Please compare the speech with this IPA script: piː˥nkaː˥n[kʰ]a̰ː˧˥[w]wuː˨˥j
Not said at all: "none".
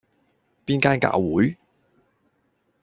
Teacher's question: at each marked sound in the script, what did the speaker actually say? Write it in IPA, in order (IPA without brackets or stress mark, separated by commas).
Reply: k, w